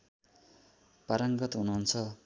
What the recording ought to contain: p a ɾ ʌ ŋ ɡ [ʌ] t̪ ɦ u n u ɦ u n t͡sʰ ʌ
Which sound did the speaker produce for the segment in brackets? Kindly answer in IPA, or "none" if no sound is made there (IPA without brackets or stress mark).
ʌ